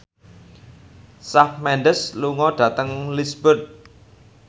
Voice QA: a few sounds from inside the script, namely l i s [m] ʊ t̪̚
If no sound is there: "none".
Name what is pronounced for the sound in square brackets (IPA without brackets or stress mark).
b